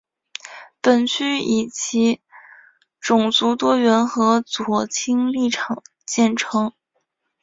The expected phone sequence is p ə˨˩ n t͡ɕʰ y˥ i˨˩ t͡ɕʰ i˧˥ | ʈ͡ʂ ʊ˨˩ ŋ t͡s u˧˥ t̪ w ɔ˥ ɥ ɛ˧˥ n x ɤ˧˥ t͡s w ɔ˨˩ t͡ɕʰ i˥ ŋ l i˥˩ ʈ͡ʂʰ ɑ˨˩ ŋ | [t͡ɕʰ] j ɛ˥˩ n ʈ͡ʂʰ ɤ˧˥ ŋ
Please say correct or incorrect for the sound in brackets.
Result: incorrect